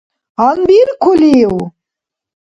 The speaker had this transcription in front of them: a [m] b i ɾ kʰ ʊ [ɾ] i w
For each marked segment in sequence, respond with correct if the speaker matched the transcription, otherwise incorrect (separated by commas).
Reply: incorrect, incorrect